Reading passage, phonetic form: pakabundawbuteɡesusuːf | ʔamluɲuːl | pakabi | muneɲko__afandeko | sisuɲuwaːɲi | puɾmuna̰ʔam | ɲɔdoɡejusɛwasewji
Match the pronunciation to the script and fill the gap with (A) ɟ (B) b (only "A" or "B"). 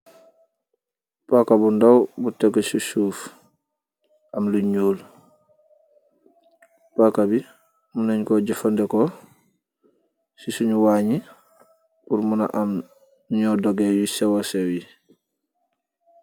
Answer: A